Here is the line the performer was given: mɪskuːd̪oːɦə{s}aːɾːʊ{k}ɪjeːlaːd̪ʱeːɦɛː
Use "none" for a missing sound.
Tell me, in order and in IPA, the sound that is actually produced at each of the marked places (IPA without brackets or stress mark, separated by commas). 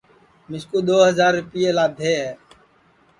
z, p